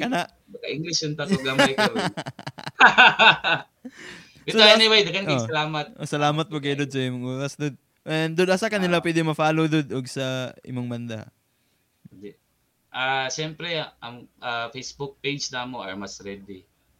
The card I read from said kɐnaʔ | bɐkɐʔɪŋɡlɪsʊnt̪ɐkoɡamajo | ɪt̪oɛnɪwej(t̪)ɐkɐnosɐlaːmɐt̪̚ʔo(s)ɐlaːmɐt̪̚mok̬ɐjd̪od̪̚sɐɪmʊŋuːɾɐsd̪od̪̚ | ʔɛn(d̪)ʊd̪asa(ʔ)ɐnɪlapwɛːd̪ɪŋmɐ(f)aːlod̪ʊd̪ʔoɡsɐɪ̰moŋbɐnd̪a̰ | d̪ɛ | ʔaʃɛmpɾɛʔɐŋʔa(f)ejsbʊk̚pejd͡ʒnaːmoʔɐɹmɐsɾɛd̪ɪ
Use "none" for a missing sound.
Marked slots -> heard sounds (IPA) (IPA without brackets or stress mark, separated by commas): d̪, s, d̪, k, f, f